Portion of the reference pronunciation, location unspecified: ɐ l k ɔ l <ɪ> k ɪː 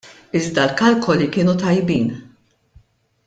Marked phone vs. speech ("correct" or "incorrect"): incorrect